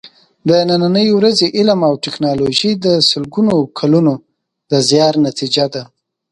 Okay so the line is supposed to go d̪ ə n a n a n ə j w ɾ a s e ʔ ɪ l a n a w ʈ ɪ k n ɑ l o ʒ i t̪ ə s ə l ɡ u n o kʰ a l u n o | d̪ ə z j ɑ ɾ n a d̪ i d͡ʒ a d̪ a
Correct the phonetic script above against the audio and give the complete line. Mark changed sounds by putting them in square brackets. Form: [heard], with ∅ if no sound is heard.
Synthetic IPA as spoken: d̪ ə n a n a n ə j w ɾ a [z] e ʔ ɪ l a [m] a w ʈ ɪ k n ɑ l o ʒ i [d̪] ə s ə l ɡ u n o kʰ a l u n o | d̪ ə z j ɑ ɾ n a [t̪] i d͡ʒ a d̪ a